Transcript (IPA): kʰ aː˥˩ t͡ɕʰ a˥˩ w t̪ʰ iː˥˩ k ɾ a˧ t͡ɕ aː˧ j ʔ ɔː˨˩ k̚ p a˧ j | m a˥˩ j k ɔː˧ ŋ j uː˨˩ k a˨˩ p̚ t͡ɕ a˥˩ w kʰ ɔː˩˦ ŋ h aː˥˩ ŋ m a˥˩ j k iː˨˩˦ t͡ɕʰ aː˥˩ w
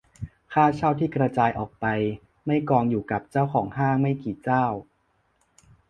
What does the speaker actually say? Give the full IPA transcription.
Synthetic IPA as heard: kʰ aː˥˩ t͡ɕʰ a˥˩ w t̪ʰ iː˥˩ k ɾ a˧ t͡ɕ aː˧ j ʔ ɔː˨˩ k̚ p a˧ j | m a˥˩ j k ɔː˧ ŋ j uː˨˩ k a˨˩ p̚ t͡ɕ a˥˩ w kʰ ɔː˩˦ ŋ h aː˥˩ ŋ m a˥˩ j k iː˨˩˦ t͡ɕ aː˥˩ w